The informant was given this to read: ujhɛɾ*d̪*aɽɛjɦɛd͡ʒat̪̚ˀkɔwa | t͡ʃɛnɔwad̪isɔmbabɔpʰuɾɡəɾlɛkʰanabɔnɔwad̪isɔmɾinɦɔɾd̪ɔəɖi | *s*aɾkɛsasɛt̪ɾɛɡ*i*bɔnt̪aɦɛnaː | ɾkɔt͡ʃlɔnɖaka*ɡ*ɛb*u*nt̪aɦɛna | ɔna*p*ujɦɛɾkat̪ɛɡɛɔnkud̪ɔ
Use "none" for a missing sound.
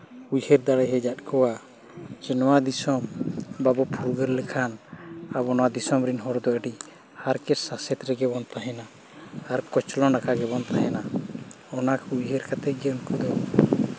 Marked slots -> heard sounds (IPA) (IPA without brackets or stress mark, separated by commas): d̪, h, ɛ, ɡ, ɔ, k